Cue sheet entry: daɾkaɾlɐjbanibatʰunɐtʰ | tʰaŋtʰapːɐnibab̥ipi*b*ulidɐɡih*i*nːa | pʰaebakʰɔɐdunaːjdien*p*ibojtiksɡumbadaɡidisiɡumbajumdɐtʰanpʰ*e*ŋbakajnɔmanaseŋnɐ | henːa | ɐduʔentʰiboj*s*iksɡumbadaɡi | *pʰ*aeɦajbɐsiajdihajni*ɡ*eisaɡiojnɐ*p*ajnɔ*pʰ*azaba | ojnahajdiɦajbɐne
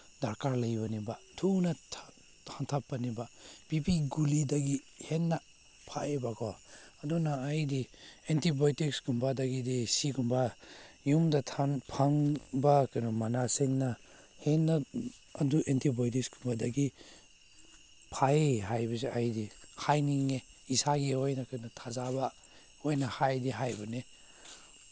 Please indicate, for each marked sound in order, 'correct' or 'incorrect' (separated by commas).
incorrect, incorrect, incorrect, incorrect, incorrect, correct, incorrect, incorrect, incorrect